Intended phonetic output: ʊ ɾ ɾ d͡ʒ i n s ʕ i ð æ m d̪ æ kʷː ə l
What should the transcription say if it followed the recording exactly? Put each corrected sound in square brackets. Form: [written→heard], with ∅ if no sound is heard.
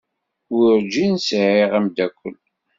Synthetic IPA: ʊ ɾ ɾ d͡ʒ i n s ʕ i [ð→ʁ] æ m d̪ æ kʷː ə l